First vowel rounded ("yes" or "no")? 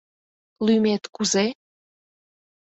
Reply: yes